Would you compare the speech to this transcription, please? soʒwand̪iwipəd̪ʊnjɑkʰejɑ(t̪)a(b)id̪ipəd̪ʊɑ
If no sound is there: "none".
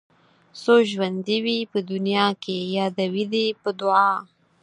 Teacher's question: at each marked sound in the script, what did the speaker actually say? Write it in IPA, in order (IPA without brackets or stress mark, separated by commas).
d̪, w